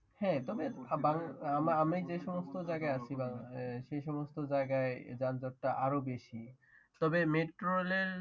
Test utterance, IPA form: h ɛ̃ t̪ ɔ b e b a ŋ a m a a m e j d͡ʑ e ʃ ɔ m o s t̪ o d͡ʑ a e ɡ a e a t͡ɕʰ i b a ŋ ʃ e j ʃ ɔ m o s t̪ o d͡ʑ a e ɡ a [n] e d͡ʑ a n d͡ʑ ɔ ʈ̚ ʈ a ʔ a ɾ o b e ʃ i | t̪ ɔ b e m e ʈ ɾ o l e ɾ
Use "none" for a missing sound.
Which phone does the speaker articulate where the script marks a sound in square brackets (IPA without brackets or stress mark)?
none